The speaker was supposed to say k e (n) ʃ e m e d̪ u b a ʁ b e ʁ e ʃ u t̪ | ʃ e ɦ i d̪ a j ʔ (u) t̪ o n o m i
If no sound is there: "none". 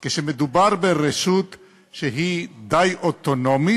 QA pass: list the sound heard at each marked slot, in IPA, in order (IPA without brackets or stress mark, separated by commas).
none, o